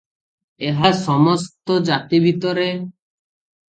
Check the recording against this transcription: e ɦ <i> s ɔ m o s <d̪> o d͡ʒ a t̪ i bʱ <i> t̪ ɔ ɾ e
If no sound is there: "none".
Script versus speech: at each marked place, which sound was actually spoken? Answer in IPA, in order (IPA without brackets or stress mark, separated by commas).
a, t̪, i